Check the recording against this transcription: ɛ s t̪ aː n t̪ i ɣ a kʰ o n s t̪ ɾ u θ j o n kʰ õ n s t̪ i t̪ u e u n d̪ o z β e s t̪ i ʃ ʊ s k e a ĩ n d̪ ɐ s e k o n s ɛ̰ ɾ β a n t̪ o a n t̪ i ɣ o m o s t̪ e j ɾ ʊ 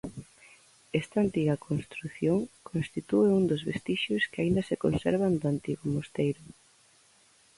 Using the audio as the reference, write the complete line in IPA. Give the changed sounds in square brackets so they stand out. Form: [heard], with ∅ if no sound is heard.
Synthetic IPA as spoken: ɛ s t̪ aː n t̪ i ɣ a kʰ o n s t̪ ɾ u θ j o [ŋ] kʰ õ n s t̪ i t̪ u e u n d̪ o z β e s t̪ i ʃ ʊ s k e a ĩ n d̪ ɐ s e k o n s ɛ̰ ɾ β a n [d̪] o a n t̪ i ɣ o m o s t̪ e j ɾ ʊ